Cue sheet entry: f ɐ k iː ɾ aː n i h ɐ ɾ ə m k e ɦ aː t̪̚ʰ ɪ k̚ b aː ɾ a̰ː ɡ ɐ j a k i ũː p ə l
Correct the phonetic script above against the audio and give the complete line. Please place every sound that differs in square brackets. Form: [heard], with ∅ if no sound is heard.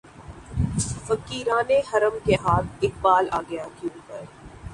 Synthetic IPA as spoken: f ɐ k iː ɾ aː n [e] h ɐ ɾ ə m k e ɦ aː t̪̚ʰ ɪ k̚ b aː [l] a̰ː ɡ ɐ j a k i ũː p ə [ɾ]